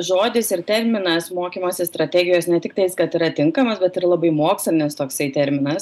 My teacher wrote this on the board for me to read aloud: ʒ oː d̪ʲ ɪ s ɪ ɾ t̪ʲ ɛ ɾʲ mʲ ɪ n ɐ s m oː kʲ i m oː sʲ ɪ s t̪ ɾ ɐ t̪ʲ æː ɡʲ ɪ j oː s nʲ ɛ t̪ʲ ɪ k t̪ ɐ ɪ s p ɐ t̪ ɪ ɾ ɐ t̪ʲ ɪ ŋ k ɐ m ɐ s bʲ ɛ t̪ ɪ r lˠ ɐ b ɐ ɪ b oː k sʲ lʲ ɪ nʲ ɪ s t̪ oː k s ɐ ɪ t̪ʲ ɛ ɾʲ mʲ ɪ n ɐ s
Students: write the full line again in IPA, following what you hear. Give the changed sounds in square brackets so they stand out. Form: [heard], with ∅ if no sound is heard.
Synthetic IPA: ʒ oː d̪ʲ ɪ s ɪ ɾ t̪ʲ ɛ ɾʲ mʲ ɪ n ɐ s m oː kʲ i m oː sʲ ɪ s t̪ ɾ ɐ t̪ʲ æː ɡʲ ɪ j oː s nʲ ɛ t̪ʲ ɪ k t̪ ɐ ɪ s [k] ɐ t̪ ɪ ɾ ɐ t̪ʲ ɪ ŋ k ɐ m ɐ s bʲ ɛ t̪ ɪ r lˠ ɐ b ɐ ɪ [m] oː k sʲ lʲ ɪ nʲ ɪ s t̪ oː k s ɐ ɪ t̪ʲ ɛ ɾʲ mʲ ɪ n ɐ s